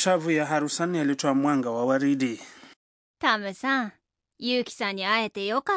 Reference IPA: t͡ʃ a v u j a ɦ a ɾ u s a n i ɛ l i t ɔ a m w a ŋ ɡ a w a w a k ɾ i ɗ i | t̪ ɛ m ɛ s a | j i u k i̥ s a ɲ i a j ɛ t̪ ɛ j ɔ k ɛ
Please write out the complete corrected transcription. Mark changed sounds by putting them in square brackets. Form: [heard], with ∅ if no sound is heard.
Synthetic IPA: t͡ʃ a v u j a ɦ a ɾ u s a n i [a] l i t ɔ a m w a ŋ ɡ a w a w a [∅] ɾ i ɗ i | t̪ [a] m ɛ s a | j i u k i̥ s a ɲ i a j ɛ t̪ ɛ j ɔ k [a]